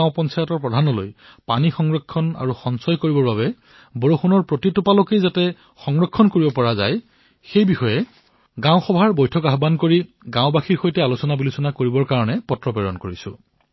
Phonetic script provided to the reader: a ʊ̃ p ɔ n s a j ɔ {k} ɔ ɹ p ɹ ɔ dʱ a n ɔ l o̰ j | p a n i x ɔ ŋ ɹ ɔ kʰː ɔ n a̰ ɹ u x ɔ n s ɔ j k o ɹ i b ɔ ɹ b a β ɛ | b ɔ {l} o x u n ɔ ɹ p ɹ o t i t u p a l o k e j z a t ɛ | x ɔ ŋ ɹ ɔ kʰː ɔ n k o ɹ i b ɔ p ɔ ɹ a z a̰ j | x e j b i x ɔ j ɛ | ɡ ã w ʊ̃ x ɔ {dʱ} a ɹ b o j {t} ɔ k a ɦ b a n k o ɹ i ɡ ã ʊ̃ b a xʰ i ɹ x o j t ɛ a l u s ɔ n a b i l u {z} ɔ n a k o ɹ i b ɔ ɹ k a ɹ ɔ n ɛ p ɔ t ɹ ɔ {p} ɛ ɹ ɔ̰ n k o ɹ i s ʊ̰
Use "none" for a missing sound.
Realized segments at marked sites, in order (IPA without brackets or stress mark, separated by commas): t, ɹ, bʱ, tʰ, s, p